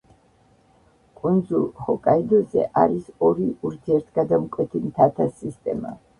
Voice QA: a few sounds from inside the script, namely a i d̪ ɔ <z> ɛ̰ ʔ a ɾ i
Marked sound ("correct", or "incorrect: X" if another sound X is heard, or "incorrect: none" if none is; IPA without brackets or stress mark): correct